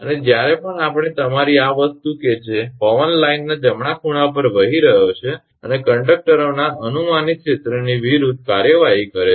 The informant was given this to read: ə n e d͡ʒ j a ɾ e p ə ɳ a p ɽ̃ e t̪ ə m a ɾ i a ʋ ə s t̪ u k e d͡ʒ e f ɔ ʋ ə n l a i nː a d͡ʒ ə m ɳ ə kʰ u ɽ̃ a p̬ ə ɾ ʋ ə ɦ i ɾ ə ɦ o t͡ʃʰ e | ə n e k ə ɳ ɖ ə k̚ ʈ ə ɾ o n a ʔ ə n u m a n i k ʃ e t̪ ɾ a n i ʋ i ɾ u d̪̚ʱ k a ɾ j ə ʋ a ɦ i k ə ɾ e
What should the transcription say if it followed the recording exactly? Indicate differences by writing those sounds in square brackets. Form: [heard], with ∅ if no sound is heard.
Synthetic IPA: ə n e d͡ʒ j a ɾ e p ə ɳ a p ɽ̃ e t̪ ə m a ɾ i a ʋ ə s t̪ u k e d͡ʒ e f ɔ ʋ ə n l a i nː a d͡ʒ ə m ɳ [a] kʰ u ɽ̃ a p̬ ə ɾ ʋ ə ɦ i ɾ ə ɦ o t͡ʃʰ e | ə n e k ə ɳ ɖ ə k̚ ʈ ə ɾ o n a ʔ ə n u m a n i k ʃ e t̪ ɾ [ə] n i ʋ i ɾ u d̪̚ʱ k a ɾ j ə ʋ a ɦ i k ə ɾ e